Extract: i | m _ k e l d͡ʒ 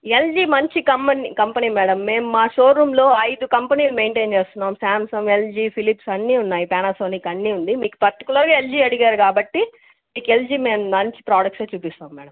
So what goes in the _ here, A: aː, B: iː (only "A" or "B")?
B